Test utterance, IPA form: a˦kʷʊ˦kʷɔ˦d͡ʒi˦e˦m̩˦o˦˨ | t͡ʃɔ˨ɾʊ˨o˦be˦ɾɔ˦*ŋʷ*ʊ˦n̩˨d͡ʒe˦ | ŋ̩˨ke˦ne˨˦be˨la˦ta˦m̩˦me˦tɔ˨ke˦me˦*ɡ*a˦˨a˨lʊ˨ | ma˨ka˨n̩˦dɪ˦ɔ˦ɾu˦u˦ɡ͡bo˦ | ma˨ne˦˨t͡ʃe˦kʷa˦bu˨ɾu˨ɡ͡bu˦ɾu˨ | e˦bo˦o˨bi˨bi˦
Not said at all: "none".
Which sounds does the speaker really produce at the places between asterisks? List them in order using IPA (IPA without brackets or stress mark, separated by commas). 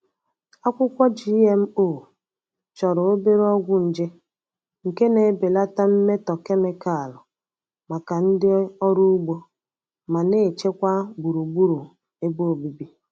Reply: ɡʷ, k